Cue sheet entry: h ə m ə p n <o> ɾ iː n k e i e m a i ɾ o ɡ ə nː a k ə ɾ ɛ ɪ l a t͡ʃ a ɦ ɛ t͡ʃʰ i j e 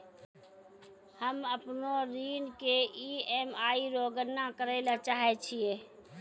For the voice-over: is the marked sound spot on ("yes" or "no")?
yes